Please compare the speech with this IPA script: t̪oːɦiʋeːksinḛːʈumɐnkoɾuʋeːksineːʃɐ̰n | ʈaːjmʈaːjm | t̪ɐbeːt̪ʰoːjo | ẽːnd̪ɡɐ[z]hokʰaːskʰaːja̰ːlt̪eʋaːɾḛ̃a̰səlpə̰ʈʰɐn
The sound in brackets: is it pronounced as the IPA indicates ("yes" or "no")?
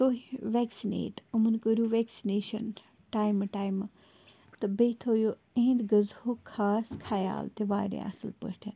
yes